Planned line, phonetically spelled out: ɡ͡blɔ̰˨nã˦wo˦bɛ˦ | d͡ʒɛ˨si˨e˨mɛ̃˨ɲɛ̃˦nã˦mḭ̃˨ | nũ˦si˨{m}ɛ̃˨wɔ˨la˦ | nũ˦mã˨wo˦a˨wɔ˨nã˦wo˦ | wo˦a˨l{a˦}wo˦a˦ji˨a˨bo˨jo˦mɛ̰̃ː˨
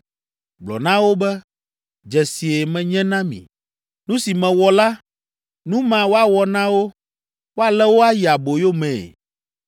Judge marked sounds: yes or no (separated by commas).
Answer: yes, no